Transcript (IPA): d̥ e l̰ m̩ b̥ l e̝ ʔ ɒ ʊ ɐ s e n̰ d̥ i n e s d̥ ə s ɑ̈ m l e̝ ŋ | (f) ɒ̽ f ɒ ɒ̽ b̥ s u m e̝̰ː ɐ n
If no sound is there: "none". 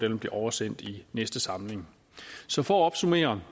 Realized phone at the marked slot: s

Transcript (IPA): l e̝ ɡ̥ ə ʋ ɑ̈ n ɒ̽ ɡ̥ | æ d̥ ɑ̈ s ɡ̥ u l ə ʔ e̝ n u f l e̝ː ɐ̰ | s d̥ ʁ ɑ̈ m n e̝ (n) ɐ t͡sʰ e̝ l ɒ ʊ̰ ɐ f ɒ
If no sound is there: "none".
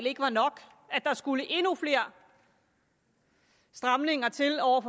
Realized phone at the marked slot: ŋ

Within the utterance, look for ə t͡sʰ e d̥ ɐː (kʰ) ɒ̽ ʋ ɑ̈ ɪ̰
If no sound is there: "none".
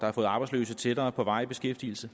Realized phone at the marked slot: pʰ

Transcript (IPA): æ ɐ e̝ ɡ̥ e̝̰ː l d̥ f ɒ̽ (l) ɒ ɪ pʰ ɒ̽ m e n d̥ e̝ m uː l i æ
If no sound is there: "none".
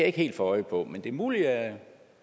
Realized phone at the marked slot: none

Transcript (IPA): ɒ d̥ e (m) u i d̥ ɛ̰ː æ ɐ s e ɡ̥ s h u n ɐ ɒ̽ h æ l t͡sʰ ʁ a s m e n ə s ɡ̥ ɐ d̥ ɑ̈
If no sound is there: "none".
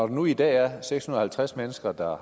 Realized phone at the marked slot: n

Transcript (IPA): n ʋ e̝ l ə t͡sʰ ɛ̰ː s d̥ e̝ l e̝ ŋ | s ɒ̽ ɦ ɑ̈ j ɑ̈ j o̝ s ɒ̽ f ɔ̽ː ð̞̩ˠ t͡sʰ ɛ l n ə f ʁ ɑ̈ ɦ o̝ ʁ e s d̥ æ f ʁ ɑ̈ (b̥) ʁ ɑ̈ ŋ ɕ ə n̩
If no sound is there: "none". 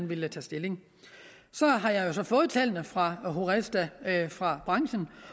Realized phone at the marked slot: b̥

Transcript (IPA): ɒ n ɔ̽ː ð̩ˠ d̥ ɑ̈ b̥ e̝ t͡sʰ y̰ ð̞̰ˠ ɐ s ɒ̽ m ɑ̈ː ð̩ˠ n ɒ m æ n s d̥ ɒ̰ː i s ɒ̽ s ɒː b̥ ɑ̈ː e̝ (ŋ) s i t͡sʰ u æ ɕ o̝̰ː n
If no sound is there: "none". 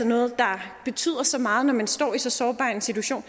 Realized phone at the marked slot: n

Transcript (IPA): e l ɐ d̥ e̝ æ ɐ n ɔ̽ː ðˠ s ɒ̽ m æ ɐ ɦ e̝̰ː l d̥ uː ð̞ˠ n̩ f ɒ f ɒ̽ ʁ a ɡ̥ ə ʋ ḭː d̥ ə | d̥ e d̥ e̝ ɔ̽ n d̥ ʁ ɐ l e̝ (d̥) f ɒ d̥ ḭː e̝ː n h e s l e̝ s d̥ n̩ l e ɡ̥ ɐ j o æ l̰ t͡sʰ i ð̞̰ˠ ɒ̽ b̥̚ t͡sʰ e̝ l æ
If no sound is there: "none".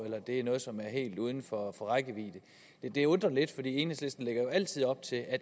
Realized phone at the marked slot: d̥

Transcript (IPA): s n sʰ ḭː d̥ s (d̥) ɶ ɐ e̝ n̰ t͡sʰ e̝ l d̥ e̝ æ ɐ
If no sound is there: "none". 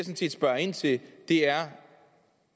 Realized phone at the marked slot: b̥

